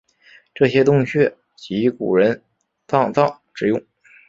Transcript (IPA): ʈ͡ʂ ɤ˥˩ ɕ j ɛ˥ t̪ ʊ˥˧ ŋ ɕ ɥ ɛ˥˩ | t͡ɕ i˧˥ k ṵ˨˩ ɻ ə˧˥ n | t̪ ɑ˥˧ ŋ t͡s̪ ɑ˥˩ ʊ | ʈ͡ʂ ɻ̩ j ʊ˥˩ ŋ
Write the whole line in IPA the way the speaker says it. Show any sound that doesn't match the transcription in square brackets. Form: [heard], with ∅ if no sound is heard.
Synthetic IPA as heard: ʈ͡ʂ ɤ˥˩ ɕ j ɛ˥ t̪ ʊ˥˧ ŋ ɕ ɥ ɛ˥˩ | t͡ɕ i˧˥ k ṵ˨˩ ɻ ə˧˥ n | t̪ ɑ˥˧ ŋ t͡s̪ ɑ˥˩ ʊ | ʈ͡ʂ ɻ̩ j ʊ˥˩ ŋ